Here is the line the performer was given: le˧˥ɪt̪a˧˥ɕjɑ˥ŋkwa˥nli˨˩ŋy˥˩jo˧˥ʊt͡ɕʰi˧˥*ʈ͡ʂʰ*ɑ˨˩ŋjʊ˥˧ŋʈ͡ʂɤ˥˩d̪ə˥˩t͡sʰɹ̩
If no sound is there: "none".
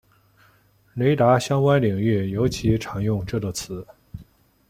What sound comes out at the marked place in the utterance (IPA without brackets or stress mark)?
ʈ͡ʂʰ